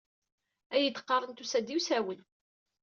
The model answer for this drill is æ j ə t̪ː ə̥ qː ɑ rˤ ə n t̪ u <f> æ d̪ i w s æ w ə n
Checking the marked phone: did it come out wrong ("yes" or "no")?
yes